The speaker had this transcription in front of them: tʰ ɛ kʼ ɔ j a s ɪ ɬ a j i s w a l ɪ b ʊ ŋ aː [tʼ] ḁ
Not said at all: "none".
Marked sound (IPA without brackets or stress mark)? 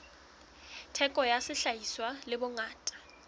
tʼ